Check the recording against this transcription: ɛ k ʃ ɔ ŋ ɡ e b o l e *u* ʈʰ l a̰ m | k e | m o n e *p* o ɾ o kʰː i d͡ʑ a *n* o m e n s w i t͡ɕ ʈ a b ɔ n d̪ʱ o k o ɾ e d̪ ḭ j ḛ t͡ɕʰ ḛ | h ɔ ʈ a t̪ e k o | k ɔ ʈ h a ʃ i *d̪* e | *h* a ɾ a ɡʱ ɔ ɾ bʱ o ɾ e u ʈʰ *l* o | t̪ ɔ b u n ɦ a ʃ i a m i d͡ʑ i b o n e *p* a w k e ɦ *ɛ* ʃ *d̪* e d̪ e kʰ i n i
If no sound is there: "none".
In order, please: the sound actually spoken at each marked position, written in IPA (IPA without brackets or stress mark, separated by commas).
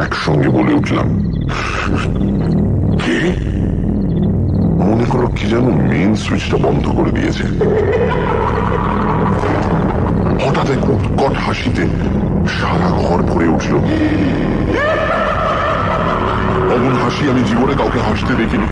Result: u, k, n, t̪, ʃ, l, k, a, t̪